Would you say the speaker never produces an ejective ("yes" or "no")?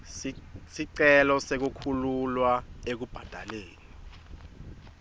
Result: yes